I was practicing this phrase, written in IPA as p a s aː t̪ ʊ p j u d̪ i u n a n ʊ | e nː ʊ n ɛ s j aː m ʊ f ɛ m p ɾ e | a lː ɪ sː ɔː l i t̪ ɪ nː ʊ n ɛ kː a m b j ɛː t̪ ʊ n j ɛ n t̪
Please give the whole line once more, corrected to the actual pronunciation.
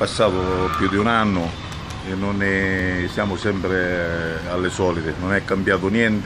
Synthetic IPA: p a sː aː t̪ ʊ p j u d̪ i u n a nː ʊ | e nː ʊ n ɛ s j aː m ʊ s ɛ m p ɾ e | a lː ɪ s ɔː l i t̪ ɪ n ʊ n ɛ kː a m b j aː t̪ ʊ n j ɛ n t̪